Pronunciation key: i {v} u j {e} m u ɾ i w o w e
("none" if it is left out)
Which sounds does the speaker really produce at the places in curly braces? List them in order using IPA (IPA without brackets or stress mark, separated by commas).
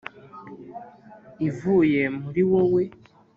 v, e